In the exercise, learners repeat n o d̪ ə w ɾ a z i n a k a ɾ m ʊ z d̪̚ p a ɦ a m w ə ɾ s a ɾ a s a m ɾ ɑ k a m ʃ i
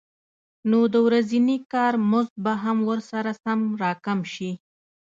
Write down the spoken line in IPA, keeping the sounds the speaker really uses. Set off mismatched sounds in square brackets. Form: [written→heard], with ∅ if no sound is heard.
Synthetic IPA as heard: n o d̪ ə w ɾ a z i n [a→i] k [a→ɑ] ɾ m ʊ z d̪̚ [p→b] a ɦ a m w ə ɾ s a ɾ a s a m ɾ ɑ k a m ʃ i